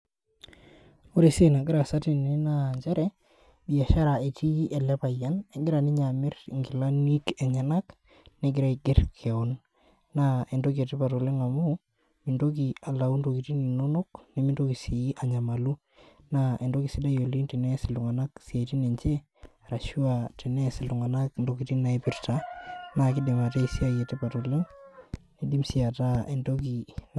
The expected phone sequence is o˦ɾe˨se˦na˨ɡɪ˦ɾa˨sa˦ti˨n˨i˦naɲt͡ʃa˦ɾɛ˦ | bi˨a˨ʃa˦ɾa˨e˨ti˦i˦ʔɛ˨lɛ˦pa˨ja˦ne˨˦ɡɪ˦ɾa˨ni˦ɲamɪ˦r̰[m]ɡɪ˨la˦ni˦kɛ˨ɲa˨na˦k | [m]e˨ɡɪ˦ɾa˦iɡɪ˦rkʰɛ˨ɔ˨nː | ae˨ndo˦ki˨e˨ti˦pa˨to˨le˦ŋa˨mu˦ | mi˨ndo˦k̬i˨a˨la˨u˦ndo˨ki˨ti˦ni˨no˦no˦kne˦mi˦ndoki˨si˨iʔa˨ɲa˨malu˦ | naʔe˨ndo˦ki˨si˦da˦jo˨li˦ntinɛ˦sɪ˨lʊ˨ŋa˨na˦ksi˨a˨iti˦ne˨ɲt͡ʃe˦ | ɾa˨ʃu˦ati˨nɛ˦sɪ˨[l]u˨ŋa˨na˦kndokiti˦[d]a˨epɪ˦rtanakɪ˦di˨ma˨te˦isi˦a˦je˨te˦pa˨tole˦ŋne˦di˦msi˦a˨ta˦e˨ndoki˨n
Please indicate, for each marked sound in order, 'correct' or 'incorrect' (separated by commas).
incorrect, incorrect, correct, incorrect